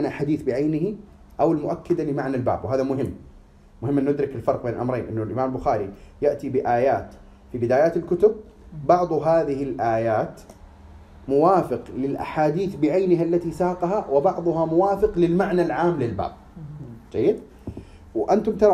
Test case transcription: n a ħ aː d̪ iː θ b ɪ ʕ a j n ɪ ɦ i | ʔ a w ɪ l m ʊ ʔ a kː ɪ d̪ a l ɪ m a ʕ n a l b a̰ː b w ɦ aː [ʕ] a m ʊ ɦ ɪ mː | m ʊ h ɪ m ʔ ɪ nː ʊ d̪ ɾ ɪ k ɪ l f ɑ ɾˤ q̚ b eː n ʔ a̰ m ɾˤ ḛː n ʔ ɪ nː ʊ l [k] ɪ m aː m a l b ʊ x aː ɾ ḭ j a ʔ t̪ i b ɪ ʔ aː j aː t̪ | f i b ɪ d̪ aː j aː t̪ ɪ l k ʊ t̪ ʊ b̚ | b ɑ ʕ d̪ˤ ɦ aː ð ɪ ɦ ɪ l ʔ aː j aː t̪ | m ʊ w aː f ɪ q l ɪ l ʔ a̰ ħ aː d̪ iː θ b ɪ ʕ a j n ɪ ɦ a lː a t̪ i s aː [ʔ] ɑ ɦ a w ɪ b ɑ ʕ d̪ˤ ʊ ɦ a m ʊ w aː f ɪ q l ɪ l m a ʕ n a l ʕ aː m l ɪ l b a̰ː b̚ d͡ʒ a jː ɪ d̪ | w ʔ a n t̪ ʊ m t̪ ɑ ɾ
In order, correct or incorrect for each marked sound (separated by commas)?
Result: incorrect, incorrect, incorrect